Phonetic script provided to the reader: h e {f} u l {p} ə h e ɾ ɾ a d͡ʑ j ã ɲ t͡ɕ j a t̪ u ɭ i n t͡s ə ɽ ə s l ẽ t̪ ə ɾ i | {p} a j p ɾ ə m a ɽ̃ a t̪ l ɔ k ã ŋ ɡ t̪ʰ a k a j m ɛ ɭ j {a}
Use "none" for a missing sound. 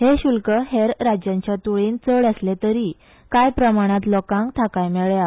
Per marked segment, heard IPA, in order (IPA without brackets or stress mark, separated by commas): ɕ, k, k, a